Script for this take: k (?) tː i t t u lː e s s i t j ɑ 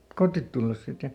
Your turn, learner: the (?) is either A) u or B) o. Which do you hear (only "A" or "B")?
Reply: B